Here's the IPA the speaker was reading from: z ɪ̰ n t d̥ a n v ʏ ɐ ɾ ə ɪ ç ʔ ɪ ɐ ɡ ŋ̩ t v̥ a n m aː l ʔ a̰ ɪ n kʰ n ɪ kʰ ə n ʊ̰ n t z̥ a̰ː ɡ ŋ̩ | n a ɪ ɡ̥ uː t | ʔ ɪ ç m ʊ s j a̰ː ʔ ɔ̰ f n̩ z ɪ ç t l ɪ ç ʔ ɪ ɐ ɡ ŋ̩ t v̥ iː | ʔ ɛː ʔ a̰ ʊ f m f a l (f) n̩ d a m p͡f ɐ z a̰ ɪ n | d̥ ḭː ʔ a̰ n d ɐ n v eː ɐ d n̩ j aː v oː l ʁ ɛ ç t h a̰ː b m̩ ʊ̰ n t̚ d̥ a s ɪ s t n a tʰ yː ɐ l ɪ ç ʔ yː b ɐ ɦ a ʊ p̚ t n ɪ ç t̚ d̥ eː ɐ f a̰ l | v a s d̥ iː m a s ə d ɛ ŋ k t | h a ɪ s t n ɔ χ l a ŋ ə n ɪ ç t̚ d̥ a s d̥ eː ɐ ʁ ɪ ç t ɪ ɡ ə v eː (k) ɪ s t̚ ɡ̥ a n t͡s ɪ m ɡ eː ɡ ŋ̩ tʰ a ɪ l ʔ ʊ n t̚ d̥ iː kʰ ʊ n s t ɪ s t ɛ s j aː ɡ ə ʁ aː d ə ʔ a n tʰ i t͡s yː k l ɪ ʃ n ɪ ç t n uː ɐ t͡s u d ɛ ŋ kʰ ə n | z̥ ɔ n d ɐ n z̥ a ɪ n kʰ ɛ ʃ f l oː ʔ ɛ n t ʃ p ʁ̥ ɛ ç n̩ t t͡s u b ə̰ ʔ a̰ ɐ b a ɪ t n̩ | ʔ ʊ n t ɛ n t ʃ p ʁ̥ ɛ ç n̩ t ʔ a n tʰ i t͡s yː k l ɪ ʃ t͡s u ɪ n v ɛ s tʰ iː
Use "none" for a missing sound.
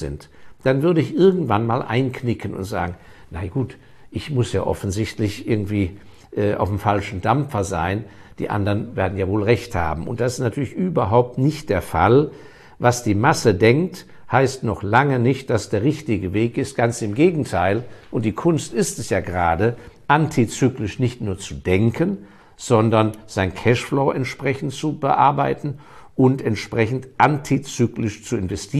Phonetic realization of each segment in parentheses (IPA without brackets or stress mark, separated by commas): ʃ, k